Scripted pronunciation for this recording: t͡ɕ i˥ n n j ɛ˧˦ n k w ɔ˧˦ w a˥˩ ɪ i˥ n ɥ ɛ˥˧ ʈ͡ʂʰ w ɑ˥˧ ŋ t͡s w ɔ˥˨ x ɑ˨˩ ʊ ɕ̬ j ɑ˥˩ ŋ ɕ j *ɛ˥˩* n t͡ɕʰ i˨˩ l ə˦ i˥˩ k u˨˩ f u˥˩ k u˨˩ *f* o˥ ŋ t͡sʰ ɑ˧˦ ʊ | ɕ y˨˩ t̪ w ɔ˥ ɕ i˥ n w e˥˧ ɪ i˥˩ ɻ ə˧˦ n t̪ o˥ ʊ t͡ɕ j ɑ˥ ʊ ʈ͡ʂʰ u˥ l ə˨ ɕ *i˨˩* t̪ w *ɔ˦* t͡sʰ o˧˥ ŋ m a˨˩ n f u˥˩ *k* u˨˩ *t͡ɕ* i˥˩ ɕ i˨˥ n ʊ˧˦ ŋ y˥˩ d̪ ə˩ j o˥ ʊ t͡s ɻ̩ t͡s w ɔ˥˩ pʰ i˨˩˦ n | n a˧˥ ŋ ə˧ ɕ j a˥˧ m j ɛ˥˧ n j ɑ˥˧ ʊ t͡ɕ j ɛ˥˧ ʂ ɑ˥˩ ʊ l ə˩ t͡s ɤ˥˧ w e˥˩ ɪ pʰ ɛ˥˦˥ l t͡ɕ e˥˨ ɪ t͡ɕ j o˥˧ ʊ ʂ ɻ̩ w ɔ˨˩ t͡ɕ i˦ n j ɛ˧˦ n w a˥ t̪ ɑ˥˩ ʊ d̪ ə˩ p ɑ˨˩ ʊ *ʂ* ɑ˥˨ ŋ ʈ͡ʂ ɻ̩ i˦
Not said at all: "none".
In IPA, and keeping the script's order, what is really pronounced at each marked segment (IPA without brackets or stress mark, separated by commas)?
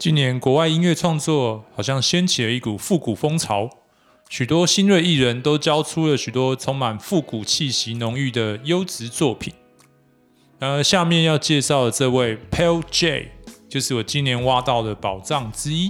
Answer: ɛ˥, f, y˨˩, ɔ˦, k, t͡ɕʰ, ʈ͡ʂ